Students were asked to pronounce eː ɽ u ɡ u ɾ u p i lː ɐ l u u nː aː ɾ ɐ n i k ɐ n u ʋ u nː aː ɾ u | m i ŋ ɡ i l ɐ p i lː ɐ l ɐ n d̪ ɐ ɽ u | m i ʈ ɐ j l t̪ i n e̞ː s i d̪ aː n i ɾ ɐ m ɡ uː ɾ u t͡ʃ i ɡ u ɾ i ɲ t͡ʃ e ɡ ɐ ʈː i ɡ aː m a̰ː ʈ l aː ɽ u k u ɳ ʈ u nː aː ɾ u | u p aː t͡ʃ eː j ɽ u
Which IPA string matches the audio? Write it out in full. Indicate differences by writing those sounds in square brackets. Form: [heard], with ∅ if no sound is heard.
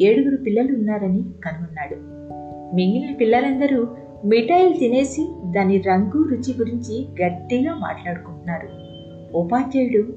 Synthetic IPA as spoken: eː ɽ u ɡ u ɾ u p i lː ɐ l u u nː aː ɾ ɐ n i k ɐ n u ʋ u nː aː [ɽ] u | m i ŋ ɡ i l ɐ p i lː ɐ l ɐ n d̪ ɐ [ɾ] u | m i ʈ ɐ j l t̪ i n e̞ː s i d̪ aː n i ɾ ɐ [ŋ] ɡ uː ɾ u t͡ʃ i ɡ u ɾ i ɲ t͡ʃ [i] ɡ ɐ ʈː i ɡ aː m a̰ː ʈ l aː ɽ u k u ɳ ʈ u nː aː ɾ u | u p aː t͡ʃ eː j ɽ u